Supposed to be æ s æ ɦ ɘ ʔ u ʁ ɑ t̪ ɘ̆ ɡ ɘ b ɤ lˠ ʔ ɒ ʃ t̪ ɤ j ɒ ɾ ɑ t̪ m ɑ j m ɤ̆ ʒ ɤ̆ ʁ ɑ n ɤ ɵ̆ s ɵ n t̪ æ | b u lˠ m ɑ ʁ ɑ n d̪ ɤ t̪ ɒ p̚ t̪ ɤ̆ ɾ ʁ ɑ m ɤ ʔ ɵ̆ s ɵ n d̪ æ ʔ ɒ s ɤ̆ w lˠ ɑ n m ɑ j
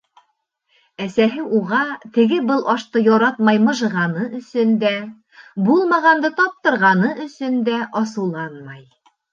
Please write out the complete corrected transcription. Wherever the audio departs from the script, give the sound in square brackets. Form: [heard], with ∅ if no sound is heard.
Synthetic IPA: æ s æ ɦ ɘ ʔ u ʁ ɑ t̪ ɘ̆ ɡ ɘ b ɤ lˠ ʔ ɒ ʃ t̪ ɤ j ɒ ɾ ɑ t̪ m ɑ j m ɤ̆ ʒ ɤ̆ ʁ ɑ n ɤ ɵ̆ s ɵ n [d̪] æ | b u lˠ m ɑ ʁ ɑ n d̪ ɤ t̪ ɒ p̚ t̪ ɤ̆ ɾ ʁ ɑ [n] ɤ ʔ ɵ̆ s ɵ n d̪ æ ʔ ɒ s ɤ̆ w lˠ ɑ n m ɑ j